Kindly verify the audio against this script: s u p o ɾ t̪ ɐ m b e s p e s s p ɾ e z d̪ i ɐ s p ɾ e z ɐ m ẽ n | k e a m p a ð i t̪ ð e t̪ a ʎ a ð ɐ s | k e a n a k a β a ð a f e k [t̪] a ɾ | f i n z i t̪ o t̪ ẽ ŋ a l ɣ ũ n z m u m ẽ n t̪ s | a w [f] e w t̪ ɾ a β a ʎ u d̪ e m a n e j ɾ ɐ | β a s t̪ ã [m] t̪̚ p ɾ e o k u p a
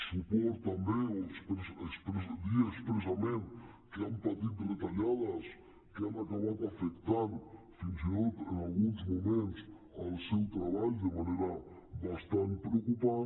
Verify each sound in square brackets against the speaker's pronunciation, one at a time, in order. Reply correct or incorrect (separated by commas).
correct, incorrect, incorrect